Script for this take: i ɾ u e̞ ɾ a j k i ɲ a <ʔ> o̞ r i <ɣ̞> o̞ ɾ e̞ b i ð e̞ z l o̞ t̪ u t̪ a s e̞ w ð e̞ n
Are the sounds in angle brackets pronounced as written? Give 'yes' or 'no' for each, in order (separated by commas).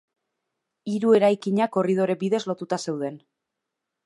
no, no